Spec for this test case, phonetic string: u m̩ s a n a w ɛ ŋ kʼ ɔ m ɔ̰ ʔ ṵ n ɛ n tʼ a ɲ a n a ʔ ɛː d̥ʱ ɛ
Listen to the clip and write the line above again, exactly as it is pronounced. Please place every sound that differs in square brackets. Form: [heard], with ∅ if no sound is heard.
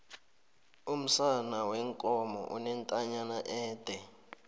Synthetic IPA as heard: u m̩ s a n a w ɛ ŋ kʼ ɔ m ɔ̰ ʔ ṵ n ɛ n tʼ a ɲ a n a ʔ ɛː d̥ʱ ɛ